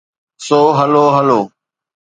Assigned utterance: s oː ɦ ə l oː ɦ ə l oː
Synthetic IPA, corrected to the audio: s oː ɦ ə l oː ɦ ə l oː